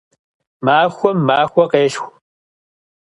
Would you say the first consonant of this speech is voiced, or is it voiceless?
voiced